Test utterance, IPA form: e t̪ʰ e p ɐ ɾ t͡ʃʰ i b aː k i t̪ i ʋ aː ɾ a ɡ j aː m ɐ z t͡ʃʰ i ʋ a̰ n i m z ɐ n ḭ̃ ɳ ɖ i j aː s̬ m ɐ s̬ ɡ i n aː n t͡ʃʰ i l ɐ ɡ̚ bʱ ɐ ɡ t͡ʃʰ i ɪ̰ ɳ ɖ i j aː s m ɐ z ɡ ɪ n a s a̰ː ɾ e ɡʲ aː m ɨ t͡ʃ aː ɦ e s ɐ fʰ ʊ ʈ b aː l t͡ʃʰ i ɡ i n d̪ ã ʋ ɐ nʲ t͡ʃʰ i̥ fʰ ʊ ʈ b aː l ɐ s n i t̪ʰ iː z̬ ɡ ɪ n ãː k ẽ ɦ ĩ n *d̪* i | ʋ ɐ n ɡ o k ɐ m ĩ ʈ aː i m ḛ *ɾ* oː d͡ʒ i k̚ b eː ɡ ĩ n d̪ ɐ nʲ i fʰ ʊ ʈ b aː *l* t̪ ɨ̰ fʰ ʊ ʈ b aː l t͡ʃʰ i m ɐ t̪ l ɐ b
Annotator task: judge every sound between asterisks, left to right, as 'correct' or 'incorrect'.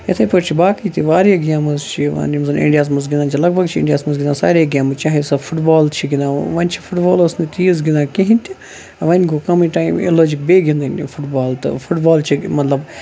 incorrect, incorrect, correct

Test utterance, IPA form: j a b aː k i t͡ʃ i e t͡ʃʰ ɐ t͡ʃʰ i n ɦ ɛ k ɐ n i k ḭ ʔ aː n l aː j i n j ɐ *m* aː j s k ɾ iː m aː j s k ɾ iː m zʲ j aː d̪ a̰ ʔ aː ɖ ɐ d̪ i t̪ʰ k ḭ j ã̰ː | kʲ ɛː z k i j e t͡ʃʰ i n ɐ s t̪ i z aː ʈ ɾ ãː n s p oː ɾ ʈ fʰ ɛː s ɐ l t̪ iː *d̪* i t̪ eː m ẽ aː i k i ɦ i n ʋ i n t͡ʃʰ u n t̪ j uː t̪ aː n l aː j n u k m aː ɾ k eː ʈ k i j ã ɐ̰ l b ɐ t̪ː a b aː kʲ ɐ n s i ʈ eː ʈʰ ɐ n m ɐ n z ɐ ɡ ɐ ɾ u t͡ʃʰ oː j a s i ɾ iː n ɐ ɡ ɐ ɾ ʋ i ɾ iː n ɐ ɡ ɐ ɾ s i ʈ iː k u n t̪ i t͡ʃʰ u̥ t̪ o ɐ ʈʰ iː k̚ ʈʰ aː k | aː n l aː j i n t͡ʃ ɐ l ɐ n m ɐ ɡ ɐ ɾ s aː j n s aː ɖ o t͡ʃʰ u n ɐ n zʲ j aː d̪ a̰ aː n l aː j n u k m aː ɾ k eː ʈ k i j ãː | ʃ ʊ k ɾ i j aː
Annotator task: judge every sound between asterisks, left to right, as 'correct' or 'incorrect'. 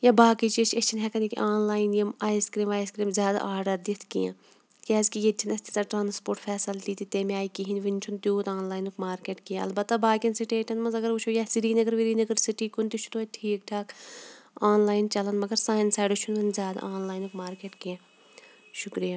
correct, incorrect

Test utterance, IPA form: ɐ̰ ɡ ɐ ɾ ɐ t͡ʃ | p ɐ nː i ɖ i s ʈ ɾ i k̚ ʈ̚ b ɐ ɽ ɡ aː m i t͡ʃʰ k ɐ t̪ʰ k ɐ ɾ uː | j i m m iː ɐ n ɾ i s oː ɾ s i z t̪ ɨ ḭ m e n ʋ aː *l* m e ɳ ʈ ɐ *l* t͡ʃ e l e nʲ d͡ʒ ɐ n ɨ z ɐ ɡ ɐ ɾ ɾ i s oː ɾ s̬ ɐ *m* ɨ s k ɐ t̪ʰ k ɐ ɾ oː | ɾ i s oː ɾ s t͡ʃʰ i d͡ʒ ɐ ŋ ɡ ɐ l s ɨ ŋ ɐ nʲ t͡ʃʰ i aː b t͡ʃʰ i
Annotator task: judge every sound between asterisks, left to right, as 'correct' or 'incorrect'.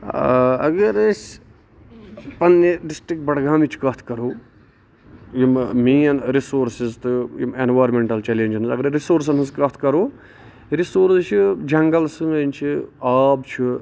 incorrect, correct, incorrect

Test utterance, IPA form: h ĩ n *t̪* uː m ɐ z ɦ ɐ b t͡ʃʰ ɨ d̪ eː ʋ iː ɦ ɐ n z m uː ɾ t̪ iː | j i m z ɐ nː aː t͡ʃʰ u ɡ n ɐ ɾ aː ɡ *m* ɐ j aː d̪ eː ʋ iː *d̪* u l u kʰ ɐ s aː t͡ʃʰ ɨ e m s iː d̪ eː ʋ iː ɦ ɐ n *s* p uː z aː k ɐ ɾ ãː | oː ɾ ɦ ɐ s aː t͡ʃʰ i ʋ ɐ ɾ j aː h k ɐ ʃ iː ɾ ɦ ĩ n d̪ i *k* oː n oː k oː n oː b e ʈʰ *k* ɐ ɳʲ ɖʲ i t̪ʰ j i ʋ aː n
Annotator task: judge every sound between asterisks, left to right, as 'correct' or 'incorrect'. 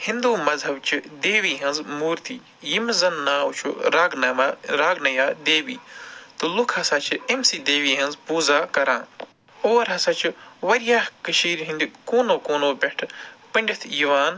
incorrect, incorrect, incorrect, incorrect, correct, incorrect

